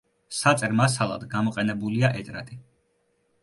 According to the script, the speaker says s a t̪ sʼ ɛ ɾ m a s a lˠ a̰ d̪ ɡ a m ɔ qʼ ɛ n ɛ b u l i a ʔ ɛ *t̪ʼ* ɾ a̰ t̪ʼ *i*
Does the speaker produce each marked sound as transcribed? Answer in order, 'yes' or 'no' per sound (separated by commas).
yes, yes